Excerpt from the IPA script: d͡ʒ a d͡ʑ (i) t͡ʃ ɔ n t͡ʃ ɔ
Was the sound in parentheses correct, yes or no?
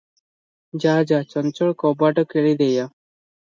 no